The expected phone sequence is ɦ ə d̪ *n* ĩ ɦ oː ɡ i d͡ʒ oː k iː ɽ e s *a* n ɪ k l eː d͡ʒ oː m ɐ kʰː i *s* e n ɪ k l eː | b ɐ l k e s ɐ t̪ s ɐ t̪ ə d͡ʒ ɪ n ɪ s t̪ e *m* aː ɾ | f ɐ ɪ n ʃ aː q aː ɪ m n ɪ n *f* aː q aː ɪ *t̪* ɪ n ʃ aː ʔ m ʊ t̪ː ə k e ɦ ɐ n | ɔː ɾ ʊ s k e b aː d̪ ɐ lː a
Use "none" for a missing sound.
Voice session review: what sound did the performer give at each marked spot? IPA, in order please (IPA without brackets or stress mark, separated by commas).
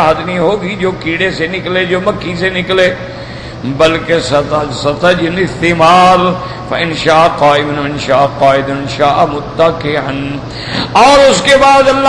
n, e, s, m, ʃ, d̪